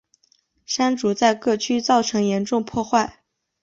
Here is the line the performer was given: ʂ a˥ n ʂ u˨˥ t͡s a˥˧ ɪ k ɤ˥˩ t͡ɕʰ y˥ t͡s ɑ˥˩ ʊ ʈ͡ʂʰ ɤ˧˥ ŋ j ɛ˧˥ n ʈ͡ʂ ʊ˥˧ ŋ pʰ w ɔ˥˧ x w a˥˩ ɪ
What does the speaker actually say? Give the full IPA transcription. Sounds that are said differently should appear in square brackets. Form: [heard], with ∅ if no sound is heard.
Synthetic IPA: ʂ a˥ n [ʈ͡ʂ] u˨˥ t͡s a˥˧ ɪ k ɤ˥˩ t͡ɕʰ y˥ t͡s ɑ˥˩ ʊ ʈ͡ʂʰ ɤ˧˥ ŋ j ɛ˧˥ n ʈ͡ʂ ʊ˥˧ ŋ pʰ w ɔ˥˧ x w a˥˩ ɪ